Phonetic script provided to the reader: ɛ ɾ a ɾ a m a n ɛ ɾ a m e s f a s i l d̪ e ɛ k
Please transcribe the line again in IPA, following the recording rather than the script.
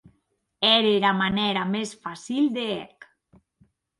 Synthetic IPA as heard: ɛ ɾ e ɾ a m a n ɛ ɾ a m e s f a s i l d̪ e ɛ k